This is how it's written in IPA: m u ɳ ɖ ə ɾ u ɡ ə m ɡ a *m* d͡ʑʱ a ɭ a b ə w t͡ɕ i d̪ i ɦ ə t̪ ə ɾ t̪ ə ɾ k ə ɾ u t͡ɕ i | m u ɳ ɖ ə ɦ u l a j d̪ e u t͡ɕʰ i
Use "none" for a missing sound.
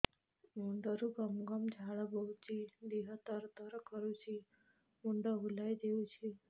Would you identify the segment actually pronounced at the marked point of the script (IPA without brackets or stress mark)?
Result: m